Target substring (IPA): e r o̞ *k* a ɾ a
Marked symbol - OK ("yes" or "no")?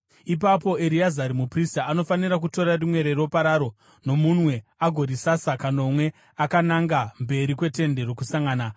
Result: no